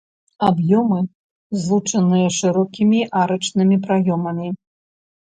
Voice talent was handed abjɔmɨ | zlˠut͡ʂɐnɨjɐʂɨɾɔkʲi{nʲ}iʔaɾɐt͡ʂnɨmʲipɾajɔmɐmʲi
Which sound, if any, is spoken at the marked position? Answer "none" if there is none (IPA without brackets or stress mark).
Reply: mʲ